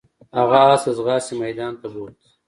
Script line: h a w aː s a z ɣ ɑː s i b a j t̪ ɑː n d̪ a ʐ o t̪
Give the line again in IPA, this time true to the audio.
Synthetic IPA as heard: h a ɣ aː s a z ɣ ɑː s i m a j d̪ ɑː n t̪ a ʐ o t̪